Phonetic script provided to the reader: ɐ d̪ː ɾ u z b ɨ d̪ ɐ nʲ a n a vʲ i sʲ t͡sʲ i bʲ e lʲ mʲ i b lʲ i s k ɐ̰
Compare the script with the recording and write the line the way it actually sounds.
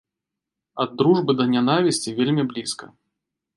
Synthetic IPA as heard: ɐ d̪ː ɾ u ʐ b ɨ d̪ ɐ nʲ a n a vʲ i sʲ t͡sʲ i vʲ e lʲ mʲ i b lʲ i s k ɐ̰

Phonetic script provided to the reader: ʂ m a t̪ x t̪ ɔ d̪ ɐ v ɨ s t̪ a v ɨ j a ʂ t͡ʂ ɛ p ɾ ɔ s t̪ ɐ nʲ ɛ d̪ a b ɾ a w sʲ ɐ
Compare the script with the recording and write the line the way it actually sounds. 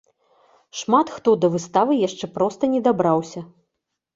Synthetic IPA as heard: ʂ m a t̪ x t̪ ɔ d̪ ɐ v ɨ s t̪ a v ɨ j a ʂ t͡ʂ ɛ p ɾ ɔ s t̪ ɐ nʲ ɛ d̪ a b ɾ a w sʲ ɐ

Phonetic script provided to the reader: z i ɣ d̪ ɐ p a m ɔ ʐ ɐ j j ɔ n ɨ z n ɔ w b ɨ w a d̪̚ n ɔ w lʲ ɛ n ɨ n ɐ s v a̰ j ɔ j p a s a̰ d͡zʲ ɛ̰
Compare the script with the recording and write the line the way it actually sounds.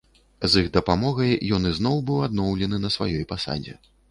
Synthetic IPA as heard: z i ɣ d̪ ɐ p a m ɔ ɣ ɐ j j ɔ n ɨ z n ɔ w b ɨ w a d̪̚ n ɔ w lʲ ɛ n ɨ n ɐ s v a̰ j ɔ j p a s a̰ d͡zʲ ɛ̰

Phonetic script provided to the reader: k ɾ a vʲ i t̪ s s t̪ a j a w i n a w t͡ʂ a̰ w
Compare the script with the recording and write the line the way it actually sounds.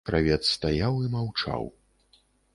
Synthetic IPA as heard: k ɾ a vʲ ɛ t̪ s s t̪ a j a w i m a w t͡ʂ a̰ w

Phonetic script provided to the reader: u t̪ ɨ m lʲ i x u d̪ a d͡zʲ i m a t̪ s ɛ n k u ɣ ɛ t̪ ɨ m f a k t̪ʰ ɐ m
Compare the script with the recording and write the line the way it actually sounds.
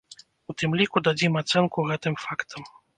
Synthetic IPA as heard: u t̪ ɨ m lʲ i k u d̪ a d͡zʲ i m a t̪ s ɛ n k u ɣ ɛ t̪ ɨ m f a k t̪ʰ ɐ m

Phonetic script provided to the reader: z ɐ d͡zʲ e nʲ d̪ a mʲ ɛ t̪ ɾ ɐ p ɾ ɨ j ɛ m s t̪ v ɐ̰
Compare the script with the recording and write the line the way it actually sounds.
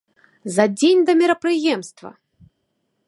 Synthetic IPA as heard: z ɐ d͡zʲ e nʲ d̪ ɐ mʲ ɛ ɾ ɐ p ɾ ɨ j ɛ m s t̪ v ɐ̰

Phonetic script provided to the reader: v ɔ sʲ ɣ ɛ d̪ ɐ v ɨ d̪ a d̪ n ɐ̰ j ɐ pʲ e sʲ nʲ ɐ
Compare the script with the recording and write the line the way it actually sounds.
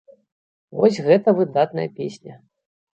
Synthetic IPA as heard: v ɔ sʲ ɣ ɛ t̪ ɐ v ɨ d̪ a t̪ n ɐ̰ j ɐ pʲ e sʲ nʲ ɐ

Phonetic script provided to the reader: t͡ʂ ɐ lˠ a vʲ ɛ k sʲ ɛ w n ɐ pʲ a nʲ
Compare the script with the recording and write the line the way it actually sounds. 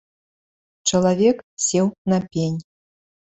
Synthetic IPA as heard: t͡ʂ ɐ lˠ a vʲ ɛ k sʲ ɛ w n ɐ pʲ e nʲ

